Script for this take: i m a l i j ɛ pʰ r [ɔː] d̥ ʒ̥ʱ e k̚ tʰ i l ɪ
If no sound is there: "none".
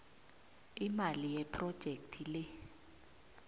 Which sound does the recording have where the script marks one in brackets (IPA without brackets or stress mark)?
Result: ɔ